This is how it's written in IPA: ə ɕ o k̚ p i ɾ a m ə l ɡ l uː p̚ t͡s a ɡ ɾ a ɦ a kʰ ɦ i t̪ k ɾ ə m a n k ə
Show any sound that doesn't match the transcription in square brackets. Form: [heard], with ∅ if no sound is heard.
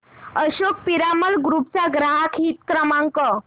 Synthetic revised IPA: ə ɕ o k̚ p i ɾ a m ə l ɡ [ɾ] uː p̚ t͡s a ɡ ɾ a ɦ a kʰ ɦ i t̪ k ɾ ə m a [ŋ] k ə